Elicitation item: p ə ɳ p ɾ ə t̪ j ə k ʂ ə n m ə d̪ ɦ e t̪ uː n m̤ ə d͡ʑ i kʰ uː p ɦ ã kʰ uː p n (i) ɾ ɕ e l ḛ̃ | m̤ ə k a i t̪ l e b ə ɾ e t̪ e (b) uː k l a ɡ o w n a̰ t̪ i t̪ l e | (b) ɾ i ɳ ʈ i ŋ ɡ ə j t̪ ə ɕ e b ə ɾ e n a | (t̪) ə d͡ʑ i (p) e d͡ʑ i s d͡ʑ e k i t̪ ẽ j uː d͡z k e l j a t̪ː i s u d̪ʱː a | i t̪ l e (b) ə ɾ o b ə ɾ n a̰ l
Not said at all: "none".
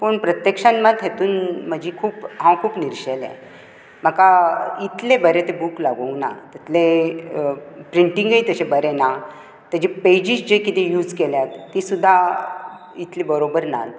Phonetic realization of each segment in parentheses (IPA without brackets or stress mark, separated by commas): i, b, p, t̪, p, b